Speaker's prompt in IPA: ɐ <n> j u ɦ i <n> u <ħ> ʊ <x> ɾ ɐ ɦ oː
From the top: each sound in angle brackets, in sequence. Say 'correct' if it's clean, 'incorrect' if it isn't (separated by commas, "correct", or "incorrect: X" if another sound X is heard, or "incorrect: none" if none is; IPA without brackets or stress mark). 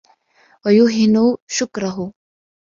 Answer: incorrect: none, correct, incorrect: ʃ, incorrect: k